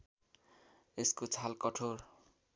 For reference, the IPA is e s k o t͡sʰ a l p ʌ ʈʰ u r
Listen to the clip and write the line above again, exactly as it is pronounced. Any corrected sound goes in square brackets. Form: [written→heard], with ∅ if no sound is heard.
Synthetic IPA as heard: e s k o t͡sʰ a l [p→k] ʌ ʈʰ [u→o] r